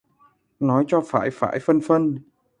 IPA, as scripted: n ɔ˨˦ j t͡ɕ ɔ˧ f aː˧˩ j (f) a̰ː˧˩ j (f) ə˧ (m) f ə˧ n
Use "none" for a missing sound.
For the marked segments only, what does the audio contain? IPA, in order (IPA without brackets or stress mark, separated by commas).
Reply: f, f, n